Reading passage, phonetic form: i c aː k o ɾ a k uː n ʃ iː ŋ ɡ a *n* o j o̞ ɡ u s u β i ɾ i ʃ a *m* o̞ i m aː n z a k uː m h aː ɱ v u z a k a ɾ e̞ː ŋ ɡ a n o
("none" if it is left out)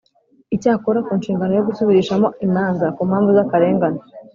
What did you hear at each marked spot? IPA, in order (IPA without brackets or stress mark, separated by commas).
n, m